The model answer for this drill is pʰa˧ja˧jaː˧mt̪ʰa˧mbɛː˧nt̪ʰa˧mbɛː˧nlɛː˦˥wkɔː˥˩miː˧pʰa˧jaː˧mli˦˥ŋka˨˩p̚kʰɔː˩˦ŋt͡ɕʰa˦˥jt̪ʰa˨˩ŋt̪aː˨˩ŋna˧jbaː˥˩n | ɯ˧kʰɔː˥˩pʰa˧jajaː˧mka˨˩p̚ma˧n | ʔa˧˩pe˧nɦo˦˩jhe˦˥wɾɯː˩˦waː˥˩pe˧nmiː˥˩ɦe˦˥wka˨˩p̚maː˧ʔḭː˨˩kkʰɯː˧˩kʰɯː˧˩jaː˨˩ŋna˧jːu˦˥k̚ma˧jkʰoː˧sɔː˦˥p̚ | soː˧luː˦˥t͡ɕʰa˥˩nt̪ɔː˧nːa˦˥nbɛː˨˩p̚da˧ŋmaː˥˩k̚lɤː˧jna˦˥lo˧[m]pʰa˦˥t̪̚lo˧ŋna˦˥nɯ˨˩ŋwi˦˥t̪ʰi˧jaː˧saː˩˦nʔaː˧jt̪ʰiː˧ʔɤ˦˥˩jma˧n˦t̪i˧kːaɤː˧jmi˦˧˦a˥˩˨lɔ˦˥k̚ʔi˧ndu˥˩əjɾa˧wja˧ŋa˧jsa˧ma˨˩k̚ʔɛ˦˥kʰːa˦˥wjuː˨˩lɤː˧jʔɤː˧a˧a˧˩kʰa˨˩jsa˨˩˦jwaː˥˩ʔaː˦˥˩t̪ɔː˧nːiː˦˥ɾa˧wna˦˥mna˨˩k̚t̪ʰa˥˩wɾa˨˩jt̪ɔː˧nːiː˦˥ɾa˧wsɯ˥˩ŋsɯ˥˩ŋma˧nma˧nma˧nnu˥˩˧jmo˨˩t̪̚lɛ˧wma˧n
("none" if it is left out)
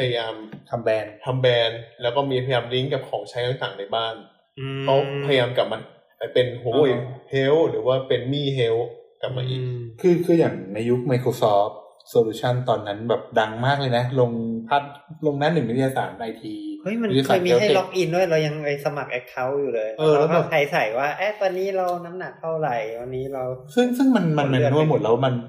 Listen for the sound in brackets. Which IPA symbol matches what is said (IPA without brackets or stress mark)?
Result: ŋ